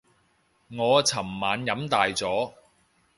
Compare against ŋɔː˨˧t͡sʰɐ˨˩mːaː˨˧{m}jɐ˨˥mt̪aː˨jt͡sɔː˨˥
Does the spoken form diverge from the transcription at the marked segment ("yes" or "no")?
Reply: yes